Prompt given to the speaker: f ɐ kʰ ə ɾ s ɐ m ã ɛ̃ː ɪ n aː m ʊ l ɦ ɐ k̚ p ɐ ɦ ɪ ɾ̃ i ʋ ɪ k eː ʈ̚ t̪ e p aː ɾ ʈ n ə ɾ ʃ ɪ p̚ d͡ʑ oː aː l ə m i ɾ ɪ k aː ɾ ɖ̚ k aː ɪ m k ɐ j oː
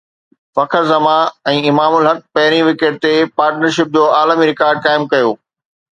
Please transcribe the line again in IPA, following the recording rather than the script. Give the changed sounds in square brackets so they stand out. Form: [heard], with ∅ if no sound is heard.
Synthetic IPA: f ɐ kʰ ə ɾ [z] ɐ m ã ɛ̃ː ɪ [m] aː m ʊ l ɦ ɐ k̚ p ɐ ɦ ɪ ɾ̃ i ʋ ɪ k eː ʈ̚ t̪ e p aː ɾ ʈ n ə ɾ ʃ ɪ p̚ d͡ʑ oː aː l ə m i ɾ ɪ k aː ɾ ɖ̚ k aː ɪ m k ɐ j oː